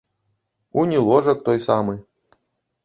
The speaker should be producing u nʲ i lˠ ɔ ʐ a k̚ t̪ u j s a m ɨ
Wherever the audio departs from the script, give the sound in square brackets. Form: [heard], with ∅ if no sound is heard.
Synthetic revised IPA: u nʲ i lˠ ɔ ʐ [ɐ] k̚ t̪ [ɔ] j s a m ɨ